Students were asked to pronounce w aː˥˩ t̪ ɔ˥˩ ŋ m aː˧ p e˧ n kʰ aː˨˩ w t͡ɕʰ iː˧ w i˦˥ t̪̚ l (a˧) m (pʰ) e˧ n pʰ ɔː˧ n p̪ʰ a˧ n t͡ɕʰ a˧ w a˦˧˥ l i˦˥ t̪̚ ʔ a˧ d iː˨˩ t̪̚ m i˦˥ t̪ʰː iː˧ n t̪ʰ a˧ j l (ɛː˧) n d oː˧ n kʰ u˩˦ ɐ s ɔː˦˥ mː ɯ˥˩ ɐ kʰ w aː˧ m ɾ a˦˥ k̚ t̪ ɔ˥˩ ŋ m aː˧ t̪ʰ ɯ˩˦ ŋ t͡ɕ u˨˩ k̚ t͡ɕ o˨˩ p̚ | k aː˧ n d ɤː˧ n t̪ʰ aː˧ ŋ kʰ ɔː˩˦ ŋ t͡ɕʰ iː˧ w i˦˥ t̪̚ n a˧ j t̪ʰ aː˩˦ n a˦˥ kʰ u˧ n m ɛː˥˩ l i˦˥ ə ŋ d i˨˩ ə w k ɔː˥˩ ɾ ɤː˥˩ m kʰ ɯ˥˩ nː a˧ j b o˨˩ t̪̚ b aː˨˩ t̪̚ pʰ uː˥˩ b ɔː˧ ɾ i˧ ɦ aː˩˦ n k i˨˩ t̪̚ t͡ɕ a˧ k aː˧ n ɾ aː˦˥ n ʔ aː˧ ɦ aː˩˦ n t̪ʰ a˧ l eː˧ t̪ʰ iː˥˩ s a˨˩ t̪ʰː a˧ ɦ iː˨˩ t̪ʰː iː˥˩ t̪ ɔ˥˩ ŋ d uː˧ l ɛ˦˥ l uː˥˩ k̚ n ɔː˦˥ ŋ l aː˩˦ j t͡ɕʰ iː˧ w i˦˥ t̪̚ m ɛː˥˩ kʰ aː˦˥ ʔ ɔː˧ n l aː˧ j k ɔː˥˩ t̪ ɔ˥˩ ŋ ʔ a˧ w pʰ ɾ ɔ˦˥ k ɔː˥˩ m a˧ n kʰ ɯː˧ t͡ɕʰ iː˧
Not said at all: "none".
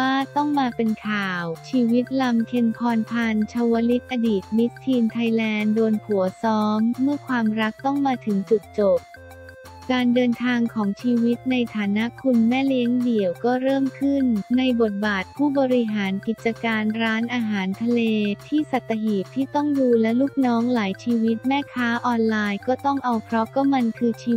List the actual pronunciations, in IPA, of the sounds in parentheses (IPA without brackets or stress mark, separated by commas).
a˧, kʰ, ɛː˧